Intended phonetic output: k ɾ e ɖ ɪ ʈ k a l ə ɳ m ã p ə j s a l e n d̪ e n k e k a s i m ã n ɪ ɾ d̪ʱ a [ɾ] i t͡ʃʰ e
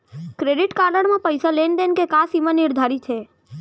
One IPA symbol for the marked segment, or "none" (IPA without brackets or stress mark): ɾ